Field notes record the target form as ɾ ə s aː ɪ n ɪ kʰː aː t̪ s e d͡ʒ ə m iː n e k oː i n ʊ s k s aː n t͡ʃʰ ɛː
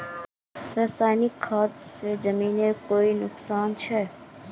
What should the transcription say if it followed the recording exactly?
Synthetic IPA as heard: ɾ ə s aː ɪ n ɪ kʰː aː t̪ s e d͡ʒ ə m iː n e k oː i n ʊ k s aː n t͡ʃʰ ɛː

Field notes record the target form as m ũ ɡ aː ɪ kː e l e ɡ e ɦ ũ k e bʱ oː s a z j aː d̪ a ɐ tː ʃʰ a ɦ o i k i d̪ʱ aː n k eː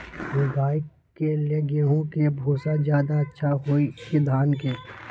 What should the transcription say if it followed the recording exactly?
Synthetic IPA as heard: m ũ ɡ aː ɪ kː e l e ɡ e ɦ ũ k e bʱ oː s a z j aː d̪ a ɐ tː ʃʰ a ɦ o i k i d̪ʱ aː n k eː

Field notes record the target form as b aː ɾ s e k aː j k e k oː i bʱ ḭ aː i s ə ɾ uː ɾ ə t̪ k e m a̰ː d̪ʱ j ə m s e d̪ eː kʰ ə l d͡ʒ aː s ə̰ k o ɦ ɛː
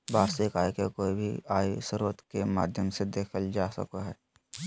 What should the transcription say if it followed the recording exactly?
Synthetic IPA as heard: b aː ɾ s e k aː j k e k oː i bʱ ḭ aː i s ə ɾ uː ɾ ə t̪ k e m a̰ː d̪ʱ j ə m s e d̪ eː kʰ ə l d͡ʒ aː s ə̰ k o ɦ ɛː

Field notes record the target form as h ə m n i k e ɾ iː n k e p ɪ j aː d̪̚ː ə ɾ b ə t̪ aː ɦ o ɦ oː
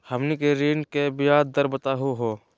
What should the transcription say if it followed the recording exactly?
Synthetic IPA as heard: h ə m n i k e ɾ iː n k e b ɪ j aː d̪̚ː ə ɾ b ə t̪ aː ɦ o ɦ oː

